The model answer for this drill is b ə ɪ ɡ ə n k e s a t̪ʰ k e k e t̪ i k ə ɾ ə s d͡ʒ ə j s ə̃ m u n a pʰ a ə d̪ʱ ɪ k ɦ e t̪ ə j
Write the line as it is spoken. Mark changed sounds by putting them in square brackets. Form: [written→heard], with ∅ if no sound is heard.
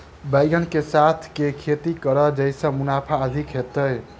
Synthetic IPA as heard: b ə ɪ ɡ ə n k e s a t̪ʰ k e [k→kʰ] e t̪ i k ə ɾ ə [s→∅] d͡ʒ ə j s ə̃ m u n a pʰ a ə d̪ʱ [ɪ→i] k ɦ e t̪ ə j